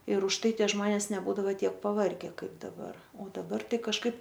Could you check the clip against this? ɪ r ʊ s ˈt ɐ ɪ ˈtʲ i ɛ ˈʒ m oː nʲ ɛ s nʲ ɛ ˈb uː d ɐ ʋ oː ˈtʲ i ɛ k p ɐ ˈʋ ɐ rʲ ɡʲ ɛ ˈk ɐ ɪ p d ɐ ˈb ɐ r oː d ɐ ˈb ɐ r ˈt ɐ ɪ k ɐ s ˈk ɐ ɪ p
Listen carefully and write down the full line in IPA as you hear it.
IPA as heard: ɪ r ʊ ʃ ˈt ɐ ɪ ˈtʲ i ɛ ˈʒ m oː nʲ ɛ s nʲ ɛ ˈb uː d ɐ ʋ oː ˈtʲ i ɛ k p ɐ ˈʋ ɐ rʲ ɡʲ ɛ ˈk ɐ ɪ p d ɐ ˈb ɐ r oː d ɐ ˈb ɐ r ˈt ɐ ɪ k ɐ ʃ ˈk ɐ ɪ p